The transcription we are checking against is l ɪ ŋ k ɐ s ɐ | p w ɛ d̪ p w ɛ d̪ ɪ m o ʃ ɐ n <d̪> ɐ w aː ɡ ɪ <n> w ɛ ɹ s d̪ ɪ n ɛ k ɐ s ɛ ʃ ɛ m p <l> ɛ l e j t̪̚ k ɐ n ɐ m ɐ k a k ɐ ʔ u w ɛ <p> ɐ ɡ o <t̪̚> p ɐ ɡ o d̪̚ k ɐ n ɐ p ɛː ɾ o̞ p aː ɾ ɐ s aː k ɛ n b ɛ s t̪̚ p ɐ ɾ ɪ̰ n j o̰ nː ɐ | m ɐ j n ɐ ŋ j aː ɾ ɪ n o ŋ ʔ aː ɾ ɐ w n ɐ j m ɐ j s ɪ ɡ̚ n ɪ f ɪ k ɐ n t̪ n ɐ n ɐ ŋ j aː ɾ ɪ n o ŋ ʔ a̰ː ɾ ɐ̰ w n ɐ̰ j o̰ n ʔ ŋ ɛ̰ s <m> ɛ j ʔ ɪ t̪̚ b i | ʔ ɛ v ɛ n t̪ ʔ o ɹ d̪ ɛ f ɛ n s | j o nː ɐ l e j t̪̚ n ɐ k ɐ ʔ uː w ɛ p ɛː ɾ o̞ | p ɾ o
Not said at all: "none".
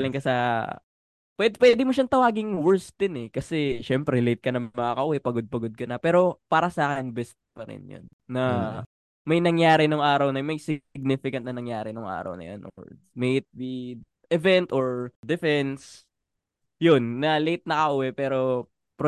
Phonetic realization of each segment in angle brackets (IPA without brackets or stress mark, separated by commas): t̪, ŋ, ɾ, p, d̪̚, m